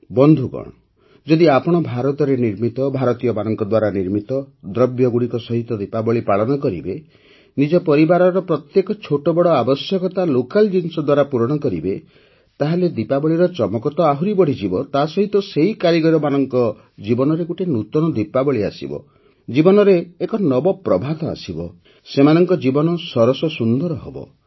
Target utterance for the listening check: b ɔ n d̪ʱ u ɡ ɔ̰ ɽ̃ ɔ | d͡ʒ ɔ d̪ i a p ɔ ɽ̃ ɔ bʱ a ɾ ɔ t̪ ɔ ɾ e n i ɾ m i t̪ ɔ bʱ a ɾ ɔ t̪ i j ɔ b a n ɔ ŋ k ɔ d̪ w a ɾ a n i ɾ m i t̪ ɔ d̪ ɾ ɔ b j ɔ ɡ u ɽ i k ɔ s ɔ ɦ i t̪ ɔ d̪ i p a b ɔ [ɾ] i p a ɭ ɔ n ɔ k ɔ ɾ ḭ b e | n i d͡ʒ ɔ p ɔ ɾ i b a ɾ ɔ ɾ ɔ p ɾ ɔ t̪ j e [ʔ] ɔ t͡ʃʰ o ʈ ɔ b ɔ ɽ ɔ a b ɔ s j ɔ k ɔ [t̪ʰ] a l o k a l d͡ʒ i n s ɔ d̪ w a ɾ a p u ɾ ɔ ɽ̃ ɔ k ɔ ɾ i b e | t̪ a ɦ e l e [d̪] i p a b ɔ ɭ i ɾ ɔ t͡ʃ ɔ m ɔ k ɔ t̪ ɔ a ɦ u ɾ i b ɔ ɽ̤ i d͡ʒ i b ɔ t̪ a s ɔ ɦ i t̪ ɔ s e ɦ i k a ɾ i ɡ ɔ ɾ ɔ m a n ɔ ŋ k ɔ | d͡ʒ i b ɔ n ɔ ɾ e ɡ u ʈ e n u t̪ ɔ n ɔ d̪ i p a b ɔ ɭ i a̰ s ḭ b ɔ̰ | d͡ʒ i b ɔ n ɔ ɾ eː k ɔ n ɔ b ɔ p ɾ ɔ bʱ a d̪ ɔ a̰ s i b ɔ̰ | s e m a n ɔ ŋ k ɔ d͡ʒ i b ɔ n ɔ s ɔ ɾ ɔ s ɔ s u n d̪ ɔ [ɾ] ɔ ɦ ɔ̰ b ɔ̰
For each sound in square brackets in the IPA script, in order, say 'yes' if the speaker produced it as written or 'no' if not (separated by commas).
no, no, no, yes, yes